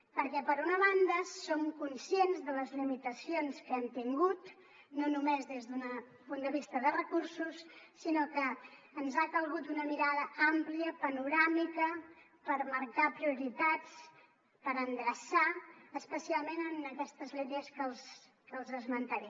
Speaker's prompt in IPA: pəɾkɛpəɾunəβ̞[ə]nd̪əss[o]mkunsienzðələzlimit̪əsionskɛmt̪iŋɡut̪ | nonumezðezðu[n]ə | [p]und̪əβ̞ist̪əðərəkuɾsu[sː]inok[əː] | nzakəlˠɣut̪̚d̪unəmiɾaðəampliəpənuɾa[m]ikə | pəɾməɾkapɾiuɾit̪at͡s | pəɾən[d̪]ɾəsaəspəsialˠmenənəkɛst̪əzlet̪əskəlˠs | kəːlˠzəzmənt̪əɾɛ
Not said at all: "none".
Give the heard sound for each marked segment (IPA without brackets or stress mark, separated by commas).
a, o, n, p, sː, əː, m, d̪